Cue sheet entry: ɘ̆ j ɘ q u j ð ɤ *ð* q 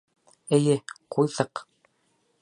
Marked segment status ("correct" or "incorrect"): incorrect